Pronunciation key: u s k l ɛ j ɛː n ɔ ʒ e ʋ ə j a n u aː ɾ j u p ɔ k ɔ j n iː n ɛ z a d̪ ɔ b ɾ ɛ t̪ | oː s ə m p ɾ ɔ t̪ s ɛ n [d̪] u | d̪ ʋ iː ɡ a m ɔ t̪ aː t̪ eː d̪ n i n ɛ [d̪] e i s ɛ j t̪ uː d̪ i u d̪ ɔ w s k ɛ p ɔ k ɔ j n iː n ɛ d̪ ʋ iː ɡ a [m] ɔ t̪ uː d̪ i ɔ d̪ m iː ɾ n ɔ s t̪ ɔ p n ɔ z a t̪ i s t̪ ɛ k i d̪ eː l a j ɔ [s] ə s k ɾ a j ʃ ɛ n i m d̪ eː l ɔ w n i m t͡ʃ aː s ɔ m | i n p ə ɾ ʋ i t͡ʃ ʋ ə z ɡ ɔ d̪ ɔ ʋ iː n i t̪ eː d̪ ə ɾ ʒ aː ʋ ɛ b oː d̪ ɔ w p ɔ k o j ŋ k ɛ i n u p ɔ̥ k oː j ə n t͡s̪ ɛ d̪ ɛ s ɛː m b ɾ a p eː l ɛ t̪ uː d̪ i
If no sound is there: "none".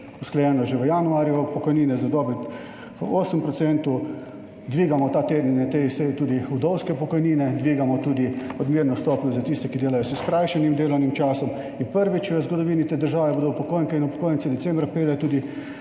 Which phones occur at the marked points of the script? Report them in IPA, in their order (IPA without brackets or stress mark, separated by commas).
t̪, t̪, m, s